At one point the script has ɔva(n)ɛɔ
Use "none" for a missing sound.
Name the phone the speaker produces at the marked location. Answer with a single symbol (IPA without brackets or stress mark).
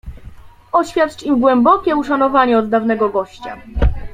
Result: ɲ